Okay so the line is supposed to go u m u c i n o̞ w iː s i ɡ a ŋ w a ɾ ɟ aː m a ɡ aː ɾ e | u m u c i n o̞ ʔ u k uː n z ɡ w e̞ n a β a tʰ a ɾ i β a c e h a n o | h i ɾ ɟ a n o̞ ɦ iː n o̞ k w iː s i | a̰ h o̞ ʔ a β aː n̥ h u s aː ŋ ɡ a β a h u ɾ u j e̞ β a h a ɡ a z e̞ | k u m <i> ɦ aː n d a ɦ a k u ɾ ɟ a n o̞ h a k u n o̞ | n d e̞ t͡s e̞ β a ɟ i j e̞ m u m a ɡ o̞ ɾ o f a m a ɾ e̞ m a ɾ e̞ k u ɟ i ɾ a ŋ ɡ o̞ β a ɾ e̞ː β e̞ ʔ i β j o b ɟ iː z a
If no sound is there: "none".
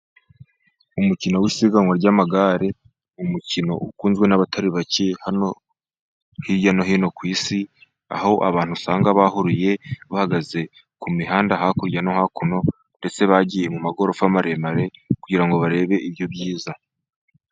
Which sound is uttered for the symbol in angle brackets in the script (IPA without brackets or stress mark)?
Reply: i